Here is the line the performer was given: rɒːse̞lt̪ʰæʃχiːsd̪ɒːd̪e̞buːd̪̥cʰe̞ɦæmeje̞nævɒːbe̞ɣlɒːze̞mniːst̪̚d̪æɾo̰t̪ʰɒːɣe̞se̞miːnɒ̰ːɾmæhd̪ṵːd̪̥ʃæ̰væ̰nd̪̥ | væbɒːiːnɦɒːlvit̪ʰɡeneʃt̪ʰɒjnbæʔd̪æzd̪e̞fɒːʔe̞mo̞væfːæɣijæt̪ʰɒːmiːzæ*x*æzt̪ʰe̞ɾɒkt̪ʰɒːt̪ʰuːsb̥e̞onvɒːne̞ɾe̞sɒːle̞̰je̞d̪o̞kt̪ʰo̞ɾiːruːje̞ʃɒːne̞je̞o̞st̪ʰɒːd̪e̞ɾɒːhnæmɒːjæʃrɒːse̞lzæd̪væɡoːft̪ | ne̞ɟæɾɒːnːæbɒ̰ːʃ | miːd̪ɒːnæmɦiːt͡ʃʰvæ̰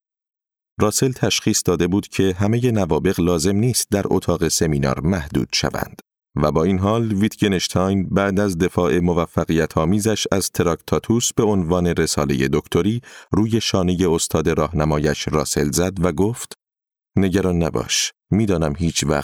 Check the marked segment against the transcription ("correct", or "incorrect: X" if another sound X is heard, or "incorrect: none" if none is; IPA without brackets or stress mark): incorrect: ʃ